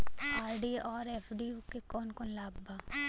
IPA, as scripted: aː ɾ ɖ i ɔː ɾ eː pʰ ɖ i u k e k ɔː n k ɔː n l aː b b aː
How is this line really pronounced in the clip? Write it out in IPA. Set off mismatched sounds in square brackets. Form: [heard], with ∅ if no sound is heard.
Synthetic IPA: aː ɾ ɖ i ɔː ɾ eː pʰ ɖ i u k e k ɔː n k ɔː n l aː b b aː